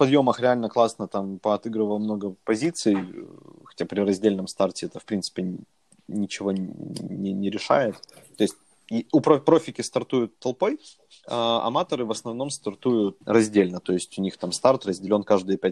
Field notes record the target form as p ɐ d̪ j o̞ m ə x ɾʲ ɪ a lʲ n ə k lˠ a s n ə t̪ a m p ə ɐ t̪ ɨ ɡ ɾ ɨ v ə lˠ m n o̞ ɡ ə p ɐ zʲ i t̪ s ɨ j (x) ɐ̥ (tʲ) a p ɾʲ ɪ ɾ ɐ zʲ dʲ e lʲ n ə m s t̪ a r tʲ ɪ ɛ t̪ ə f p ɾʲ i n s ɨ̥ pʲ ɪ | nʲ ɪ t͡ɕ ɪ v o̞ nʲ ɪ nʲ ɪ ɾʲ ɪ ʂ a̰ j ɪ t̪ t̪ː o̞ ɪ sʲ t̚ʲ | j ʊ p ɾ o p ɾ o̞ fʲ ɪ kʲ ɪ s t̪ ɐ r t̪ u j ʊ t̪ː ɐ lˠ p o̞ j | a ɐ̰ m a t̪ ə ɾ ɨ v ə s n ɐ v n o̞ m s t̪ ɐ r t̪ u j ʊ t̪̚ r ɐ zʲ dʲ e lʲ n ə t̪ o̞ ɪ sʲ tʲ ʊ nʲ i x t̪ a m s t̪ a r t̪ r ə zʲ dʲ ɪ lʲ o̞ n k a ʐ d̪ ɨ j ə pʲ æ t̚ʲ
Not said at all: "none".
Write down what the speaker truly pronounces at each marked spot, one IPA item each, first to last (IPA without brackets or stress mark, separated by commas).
x, tʲ